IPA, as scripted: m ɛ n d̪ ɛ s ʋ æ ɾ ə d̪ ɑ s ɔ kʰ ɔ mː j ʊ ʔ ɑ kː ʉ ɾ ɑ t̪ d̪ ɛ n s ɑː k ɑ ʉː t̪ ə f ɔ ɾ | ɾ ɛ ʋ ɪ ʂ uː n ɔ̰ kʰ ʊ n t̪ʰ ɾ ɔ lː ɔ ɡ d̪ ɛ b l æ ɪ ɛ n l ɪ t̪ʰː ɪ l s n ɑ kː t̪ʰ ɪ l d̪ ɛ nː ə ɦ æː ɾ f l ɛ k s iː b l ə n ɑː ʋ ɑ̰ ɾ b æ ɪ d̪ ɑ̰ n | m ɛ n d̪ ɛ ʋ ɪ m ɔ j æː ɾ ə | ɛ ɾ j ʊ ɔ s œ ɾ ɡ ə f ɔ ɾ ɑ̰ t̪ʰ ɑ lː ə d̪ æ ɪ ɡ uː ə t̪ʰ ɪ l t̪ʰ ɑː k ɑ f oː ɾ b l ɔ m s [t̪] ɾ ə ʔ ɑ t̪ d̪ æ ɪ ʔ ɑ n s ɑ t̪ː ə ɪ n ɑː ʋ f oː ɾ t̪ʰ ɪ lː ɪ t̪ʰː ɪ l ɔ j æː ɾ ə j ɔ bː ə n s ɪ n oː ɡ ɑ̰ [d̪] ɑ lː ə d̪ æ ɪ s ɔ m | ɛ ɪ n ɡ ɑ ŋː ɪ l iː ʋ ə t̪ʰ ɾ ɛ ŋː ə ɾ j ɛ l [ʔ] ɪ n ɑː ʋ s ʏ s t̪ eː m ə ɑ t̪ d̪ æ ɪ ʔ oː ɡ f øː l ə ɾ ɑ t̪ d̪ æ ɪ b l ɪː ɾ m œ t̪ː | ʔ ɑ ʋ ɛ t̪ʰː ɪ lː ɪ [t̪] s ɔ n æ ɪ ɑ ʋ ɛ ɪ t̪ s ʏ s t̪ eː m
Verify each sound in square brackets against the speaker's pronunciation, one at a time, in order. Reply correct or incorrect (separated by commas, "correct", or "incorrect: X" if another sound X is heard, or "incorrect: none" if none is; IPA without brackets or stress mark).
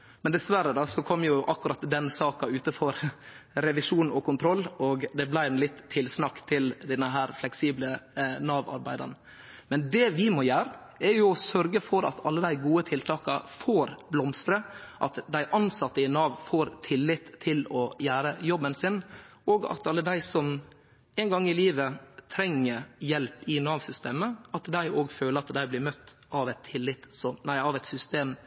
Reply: correct, incorrect: t̪, incorrect: p, correct